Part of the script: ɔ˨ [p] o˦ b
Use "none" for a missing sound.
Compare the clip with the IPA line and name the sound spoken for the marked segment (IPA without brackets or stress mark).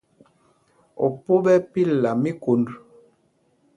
p